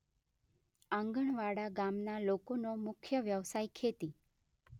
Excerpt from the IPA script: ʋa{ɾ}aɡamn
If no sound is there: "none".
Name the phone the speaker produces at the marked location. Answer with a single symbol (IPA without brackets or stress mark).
ɽ